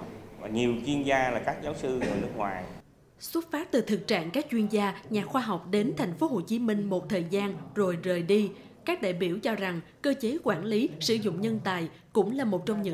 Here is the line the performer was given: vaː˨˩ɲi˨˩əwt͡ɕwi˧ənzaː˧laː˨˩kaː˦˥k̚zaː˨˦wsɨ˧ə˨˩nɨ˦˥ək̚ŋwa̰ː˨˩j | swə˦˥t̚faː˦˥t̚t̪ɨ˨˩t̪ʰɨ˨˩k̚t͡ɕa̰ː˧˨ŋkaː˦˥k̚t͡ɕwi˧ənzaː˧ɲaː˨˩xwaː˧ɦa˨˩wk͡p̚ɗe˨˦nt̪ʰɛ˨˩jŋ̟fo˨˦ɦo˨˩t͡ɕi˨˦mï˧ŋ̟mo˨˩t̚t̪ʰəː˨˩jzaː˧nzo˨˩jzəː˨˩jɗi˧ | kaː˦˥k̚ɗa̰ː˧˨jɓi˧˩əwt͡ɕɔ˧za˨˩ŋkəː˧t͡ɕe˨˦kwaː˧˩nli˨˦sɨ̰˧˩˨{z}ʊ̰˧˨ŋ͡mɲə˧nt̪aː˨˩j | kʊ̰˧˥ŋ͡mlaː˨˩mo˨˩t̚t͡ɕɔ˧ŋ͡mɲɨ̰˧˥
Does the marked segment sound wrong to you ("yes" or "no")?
no